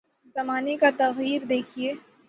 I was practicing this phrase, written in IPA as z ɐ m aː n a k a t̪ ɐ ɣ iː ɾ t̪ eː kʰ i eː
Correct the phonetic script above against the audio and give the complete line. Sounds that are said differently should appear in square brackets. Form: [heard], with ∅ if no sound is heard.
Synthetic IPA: z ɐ m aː n [e] k a t̪ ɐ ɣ iː ɾ [d̪] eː kʰ i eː